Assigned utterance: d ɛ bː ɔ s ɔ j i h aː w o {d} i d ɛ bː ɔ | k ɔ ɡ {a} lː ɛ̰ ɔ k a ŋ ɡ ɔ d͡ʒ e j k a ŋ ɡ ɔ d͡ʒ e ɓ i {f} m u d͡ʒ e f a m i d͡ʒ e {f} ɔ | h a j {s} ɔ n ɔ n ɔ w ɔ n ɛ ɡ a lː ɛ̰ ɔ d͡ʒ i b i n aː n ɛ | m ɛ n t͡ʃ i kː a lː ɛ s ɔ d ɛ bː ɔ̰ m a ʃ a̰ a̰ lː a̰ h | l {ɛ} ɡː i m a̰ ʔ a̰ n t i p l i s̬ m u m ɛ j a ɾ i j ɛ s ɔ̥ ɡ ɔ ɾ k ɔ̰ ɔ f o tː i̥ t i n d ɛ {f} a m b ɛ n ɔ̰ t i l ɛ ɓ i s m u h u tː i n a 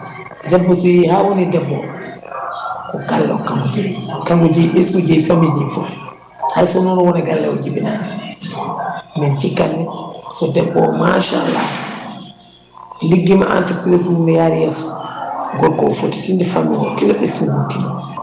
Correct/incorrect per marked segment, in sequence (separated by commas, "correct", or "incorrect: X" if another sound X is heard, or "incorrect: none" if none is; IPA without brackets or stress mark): incorrect: n, correct, incorrect: s, correct, correct, incorrect: i, correct